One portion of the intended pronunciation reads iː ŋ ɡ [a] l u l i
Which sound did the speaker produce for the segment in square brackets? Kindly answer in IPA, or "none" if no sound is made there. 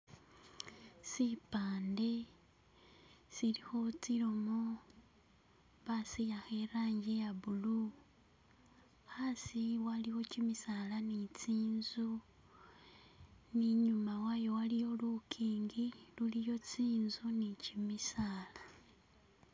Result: i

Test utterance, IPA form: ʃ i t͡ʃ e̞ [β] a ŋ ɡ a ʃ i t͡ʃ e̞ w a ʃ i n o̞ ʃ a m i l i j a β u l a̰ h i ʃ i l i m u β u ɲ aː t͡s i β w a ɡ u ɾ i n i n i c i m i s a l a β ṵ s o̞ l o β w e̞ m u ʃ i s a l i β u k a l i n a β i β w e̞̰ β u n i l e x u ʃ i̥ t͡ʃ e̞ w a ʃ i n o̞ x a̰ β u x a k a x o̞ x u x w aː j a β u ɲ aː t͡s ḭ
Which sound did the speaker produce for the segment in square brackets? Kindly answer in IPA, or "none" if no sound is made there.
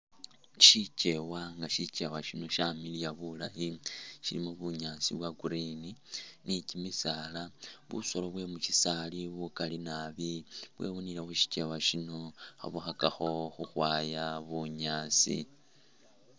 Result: w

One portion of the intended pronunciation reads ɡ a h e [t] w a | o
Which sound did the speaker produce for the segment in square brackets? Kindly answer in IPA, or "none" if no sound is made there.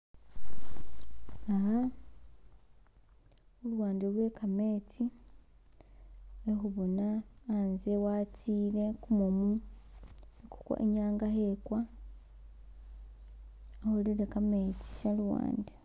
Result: k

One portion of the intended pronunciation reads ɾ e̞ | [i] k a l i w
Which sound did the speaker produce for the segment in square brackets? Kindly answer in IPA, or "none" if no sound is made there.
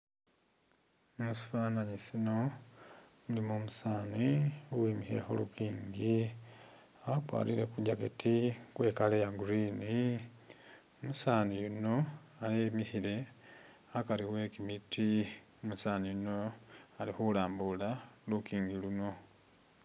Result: a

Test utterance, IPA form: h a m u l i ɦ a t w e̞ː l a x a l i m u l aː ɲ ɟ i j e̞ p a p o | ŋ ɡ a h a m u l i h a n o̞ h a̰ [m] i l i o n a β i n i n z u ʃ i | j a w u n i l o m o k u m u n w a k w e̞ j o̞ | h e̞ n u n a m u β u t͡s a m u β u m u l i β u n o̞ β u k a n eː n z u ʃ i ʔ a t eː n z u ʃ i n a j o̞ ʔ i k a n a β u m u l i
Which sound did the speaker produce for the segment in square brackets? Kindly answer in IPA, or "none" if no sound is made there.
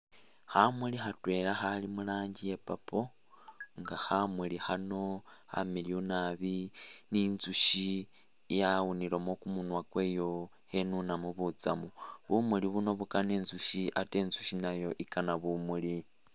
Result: m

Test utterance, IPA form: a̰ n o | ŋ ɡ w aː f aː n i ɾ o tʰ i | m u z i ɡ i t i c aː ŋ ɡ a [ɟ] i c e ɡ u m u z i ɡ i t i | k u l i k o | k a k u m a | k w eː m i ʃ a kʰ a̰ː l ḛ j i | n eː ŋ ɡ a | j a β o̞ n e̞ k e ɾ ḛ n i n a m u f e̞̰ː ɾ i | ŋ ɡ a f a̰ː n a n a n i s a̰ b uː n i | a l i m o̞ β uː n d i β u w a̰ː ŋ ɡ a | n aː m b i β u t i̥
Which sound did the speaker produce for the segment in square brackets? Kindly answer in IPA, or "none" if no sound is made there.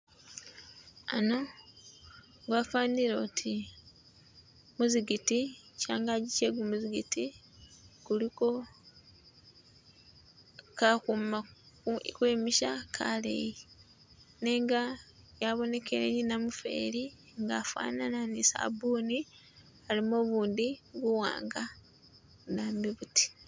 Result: ɟ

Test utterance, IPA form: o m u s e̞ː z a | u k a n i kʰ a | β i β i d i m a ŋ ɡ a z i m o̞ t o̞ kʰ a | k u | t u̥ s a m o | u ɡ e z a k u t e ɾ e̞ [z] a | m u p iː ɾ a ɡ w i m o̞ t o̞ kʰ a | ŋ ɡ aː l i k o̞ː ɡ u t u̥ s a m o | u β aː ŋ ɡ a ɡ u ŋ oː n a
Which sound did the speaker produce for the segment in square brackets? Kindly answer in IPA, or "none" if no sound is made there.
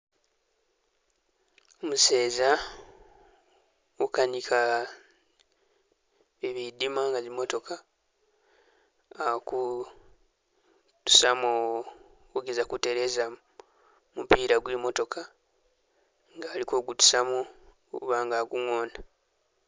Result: z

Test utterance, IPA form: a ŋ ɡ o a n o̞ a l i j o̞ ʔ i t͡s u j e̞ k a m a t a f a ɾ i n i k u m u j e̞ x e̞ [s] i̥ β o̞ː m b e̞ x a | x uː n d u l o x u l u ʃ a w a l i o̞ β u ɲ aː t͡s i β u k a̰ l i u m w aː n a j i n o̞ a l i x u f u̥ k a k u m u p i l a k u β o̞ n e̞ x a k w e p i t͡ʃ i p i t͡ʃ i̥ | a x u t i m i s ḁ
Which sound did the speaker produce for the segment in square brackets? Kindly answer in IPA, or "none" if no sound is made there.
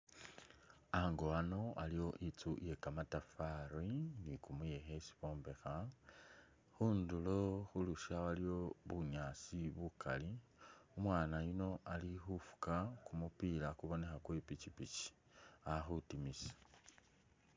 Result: s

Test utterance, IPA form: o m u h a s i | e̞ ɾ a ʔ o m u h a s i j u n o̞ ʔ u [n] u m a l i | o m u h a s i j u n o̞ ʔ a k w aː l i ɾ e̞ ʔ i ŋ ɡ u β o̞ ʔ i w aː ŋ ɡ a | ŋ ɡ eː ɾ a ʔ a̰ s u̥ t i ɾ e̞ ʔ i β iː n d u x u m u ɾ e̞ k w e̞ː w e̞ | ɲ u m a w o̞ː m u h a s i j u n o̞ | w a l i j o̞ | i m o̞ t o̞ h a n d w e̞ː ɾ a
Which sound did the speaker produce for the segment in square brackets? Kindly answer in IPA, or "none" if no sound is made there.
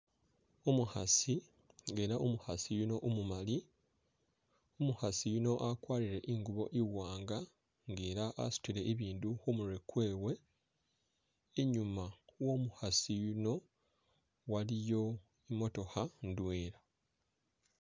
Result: m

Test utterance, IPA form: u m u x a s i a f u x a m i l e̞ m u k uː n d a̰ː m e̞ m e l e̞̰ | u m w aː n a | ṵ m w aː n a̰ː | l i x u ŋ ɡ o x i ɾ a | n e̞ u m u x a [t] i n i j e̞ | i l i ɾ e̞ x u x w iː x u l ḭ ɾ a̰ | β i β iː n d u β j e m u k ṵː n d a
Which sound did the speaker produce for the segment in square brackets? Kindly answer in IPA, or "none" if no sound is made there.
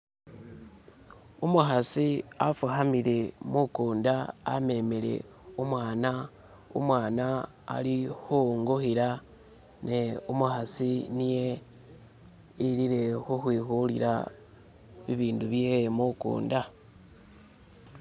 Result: s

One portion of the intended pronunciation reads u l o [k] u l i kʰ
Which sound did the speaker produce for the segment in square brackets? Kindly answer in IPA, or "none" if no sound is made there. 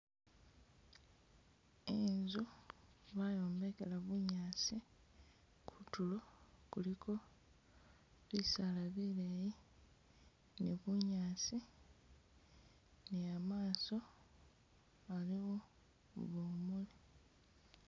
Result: k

